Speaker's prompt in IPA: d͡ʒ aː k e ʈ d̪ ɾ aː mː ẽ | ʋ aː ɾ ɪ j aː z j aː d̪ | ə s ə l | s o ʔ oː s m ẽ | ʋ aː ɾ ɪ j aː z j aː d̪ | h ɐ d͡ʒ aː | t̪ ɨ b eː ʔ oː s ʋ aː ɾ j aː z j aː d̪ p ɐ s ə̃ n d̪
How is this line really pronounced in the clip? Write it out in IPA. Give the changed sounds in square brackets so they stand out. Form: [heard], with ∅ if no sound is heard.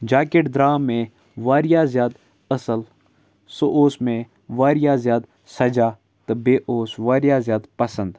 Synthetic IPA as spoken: d͡ʒ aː k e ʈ d̪ ɾ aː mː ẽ | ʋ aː ɾ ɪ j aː z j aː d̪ | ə s ə l | s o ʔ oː s m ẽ | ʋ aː ɾ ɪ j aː z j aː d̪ | [s] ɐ d͡ʒ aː | t̪ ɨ b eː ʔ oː s ʋ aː ɾ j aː z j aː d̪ p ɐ s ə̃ n d̪